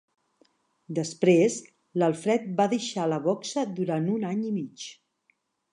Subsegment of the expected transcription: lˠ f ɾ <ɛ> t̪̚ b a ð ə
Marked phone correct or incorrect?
correct